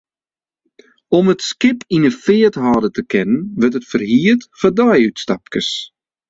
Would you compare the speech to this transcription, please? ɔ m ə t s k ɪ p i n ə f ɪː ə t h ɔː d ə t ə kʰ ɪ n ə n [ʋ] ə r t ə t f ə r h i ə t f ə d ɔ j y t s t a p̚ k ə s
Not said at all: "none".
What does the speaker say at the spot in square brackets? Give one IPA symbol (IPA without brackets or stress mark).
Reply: ʋ